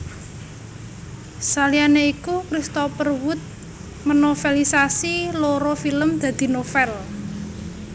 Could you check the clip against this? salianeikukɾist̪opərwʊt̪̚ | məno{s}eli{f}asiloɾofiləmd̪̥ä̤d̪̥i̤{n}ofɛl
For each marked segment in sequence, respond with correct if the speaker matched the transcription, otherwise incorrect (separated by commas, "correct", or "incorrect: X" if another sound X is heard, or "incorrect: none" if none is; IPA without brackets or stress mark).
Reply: incorrect: f, incorrect: s, correct